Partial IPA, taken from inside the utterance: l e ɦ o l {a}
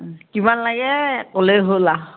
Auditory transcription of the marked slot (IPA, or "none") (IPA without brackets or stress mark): a